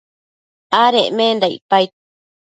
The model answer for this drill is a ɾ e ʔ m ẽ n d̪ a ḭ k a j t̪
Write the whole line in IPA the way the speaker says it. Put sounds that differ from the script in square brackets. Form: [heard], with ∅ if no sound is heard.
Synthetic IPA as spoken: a ɾ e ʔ m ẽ n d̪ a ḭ [p] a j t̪